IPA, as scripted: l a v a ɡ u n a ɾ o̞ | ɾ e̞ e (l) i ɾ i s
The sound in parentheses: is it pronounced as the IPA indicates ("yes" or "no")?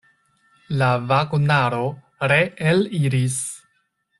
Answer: yes